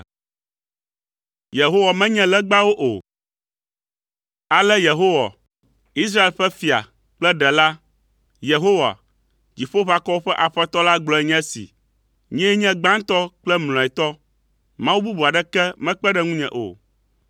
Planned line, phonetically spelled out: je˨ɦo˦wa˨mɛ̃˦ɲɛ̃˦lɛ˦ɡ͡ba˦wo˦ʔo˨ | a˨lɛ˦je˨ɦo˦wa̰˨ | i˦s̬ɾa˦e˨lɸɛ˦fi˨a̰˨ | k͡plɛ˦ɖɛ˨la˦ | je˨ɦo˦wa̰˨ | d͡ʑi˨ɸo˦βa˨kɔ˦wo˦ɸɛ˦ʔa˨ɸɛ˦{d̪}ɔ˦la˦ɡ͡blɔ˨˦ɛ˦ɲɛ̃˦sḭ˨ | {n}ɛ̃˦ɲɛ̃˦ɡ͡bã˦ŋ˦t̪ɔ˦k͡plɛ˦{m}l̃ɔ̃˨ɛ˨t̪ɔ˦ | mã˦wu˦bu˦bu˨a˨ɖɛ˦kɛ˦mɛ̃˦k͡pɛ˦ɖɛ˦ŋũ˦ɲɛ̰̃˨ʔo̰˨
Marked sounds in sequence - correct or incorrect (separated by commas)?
incorrect, incorrect, correct